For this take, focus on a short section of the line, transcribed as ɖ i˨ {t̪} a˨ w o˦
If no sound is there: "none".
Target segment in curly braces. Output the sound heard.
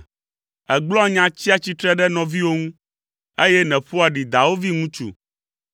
d̪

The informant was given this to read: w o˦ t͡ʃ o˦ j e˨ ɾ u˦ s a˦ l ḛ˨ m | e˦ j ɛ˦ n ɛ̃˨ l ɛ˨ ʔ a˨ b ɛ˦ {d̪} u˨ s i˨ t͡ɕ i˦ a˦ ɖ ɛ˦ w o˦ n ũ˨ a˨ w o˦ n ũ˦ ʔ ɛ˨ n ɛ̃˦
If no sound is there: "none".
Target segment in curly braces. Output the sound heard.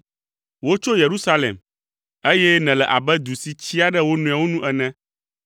d̪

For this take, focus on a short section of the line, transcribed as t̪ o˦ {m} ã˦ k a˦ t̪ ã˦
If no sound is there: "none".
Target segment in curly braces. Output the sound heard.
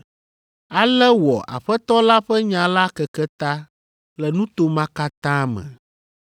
m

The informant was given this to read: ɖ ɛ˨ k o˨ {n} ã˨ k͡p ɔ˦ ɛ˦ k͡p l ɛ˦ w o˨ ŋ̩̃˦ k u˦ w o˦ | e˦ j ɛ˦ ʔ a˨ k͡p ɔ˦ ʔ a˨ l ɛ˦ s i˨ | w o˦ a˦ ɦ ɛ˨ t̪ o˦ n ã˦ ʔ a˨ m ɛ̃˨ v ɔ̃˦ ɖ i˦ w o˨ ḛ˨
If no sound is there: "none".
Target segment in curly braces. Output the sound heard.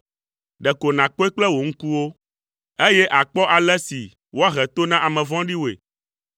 n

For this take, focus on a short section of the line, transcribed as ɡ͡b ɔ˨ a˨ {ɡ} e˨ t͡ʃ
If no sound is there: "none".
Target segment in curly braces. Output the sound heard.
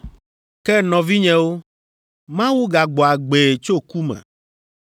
ɡ͡b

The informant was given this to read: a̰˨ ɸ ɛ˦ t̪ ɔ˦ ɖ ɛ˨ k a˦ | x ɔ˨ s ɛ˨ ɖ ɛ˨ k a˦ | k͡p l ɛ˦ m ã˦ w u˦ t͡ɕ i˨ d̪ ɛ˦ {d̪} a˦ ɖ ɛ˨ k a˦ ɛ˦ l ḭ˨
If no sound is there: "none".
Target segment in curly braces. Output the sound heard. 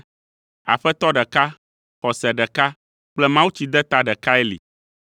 t̪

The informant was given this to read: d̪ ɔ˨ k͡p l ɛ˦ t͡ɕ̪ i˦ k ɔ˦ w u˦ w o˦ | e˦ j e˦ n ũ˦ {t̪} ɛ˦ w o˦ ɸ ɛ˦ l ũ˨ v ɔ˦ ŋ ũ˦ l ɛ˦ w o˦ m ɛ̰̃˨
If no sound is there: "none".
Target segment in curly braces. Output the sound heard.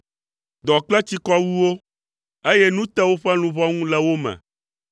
t̪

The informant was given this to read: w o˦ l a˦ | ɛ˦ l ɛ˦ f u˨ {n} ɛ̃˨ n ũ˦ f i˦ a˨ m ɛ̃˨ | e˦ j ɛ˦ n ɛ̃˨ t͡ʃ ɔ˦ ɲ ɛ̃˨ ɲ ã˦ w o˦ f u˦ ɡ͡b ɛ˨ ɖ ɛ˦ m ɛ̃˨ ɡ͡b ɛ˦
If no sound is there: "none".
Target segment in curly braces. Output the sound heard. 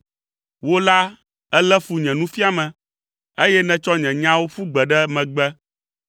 ɲ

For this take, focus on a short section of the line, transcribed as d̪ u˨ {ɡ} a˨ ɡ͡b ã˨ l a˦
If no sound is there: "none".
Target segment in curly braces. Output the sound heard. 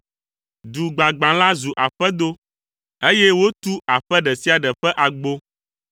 ɡ͡b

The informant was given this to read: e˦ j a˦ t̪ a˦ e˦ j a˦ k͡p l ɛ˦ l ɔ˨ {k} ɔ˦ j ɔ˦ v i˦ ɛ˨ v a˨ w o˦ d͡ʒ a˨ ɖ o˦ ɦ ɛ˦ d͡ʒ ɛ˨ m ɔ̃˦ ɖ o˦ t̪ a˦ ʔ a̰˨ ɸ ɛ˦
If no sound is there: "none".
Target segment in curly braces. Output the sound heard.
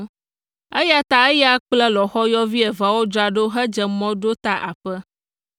x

